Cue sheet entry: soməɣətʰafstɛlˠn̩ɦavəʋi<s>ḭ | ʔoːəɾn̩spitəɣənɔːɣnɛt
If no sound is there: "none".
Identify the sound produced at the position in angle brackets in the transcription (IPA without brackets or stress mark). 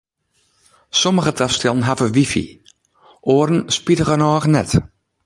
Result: f